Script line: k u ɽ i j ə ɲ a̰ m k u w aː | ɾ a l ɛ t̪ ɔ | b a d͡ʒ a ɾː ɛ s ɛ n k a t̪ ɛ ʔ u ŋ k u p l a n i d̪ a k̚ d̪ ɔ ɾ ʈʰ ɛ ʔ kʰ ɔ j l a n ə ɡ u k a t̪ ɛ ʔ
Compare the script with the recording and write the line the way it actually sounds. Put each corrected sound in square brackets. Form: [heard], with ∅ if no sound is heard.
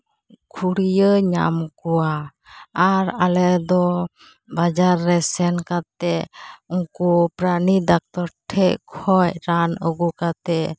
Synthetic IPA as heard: [kʰ] u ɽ i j ə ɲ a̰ m k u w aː | ɾ a l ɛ [d̪] ɔ | b a d͡ʒ a ɾː ɛ s ɛ n k a t̪ ɛ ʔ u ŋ k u p [ɾ] a n i d̪ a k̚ [t̪] ɔ ɾ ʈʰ ɛ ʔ kʰ ɔ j [ɾ] a n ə ɡ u k a t̪ ɛ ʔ